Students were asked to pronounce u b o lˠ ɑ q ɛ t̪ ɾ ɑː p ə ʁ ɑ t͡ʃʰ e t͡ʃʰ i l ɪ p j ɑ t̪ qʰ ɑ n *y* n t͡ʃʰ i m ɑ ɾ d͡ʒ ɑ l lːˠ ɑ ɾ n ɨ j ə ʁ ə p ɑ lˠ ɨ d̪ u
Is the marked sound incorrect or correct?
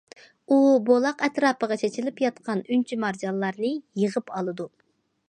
correct